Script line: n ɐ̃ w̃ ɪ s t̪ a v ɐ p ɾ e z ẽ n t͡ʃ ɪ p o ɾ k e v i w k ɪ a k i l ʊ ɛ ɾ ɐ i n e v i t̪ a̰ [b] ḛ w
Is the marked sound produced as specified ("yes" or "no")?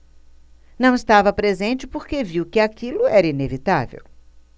no